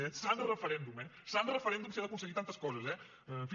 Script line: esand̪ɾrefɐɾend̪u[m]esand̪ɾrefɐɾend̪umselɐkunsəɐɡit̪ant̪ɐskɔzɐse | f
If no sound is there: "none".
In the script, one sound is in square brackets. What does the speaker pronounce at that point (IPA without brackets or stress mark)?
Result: m